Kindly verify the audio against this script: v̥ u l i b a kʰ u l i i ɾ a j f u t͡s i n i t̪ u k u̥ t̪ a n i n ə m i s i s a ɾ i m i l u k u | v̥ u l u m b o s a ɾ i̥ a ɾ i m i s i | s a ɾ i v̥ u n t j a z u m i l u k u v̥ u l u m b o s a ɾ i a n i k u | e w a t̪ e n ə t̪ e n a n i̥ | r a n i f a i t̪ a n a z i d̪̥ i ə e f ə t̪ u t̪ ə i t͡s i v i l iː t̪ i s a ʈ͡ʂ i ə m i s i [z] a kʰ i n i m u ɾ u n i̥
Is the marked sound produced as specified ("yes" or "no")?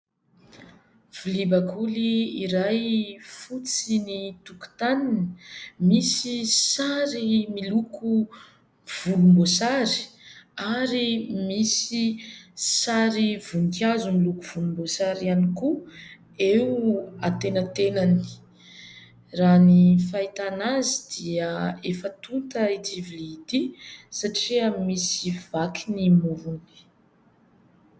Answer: no